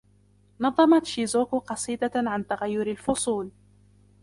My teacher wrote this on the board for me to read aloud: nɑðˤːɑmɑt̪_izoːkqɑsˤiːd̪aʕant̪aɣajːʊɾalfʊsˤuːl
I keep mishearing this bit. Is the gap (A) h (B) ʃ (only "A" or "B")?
B